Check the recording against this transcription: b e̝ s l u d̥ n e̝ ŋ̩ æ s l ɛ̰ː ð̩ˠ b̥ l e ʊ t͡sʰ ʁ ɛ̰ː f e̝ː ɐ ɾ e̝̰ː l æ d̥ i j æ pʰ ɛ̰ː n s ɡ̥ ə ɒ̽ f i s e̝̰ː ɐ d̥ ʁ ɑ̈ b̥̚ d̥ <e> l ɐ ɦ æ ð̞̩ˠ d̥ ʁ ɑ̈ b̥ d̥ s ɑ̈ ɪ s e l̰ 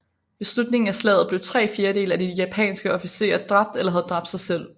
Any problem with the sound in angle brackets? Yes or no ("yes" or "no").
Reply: no